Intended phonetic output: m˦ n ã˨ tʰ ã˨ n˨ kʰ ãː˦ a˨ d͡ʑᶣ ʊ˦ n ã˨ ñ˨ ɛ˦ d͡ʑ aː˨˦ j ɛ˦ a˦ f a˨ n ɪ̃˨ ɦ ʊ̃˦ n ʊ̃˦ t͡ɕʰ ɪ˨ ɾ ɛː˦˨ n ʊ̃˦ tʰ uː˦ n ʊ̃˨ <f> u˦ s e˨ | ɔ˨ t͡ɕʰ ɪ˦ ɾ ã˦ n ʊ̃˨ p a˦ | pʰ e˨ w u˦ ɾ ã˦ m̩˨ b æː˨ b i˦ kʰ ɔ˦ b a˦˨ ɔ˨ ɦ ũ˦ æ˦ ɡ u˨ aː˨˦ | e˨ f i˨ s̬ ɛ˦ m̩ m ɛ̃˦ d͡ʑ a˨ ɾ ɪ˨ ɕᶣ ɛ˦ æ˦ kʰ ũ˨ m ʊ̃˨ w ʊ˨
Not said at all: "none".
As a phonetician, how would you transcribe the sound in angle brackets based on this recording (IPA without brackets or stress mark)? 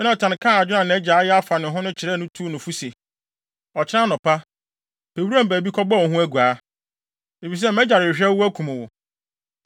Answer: f